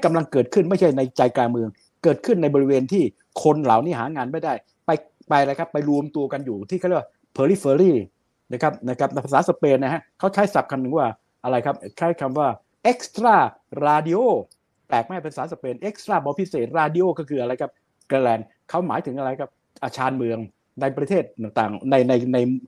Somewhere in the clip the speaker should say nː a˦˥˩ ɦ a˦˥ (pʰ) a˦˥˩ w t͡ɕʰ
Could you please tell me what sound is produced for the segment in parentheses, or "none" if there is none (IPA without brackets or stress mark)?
kʰ